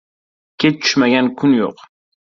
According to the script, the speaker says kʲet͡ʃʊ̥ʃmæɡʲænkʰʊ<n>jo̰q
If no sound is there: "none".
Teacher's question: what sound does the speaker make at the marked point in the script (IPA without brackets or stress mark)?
n